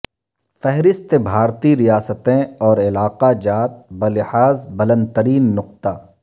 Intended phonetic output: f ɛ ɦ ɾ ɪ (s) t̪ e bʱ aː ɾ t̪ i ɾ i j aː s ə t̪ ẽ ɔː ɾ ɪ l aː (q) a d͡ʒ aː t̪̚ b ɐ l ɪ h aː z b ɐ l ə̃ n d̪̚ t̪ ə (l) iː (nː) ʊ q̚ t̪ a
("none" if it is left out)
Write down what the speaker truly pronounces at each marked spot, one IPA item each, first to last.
s, q, ɾ, nː

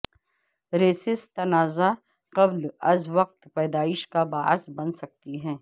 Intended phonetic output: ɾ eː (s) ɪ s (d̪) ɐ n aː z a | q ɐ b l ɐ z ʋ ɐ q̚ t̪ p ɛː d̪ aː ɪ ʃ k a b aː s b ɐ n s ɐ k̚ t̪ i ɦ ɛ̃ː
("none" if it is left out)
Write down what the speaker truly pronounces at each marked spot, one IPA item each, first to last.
s, t̪

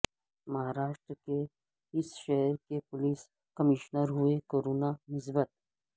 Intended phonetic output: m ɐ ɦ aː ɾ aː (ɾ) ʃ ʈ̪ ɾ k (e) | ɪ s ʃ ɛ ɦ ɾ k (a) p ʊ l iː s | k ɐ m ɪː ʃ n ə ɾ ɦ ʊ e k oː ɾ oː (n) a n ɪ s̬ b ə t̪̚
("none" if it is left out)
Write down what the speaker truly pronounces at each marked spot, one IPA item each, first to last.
none, e, e, n

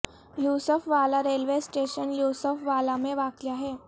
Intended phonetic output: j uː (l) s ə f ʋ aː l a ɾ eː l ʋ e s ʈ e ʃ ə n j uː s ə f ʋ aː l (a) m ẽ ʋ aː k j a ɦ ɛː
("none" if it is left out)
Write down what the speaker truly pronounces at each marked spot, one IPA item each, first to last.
none, a

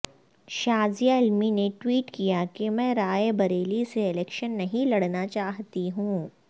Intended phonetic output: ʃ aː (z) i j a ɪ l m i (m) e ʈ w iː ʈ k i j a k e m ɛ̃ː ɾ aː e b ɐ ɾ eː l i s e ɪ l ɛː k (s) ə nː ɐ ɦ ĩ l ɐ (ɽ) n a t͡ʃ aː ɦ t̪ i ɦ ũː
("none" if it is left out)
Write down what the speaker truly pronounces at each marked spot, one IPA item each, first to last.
z, n, ʃ, ɽ

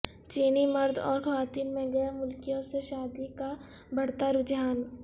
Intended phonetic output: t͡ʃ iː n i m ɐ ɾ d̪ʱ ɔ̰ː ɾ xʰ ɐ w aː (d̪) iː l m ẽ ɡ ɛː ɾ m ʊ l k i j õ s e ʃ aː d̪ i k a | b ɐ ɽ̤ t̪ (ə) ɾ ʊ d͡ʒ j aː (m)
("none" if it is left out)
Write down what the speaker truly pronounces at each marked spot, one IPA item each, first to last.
t̪, a, n

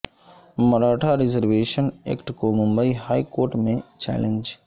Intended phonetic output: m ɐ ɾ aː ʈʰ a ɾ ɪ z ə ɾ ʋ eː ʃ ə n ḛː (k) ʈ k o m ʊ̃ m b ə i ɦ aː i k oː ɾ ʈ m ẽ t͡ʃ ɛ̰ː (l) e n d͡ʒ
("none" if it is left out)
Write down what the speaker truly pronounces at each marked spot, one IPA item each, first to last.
k, l

